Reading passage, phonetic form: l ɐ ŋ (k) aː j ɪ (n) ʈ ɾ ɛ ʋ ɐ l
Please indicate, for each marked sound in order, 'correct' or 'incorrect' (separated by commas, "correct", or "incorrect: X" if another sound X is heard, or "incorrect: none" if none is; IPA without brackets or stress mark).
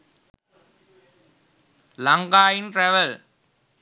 incorrect: ɡ, correct